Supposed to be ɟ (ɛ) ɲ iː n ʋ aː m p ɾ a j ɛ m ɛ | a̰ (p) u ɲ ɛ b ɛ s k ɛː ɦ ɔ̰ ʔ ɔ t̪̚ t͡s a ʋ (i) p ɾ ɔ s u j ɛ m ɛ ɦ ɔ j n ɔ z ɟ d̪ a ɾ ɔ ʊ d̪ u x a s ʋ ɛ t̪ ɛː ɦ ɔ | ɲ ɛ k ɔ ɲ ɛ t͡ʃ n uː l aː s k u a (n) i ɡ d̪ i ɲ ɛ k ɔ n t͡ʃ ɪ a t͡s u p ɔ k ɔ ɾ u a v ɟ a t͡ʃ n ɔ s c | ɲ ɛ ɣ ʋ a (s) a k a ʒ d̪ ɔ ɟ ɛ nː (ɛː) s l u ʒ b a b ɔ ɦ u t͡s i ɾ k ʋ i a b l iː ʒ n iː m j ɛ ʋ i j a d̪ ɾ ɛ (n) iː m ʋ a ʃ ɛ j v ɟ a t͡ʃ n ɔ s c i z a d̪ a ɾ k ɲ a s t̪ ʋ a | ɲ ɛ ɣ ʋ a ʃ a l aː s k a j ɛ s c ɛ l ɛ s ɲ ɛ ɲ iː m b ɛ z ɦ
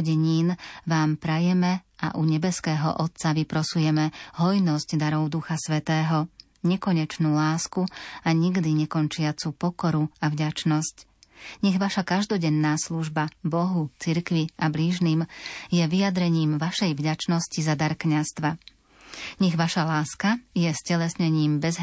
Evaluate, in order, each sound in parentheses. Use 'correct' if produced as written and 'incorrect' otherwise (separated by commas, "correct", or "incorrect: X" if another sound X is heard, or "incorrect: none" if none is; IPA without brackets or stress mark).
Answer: correct, incorrect: ʔ, correct, incorrect: ɲ, incorrect: ʃ, incorrect: aː, incorrect: ɲ